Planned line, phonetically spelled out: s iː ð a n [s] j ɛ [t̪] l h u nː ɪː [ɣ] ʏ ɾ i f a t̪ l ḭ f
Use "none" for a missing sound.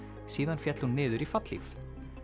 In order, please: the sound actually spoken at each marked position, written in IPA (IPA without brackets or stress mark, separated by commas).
f, t̪, ð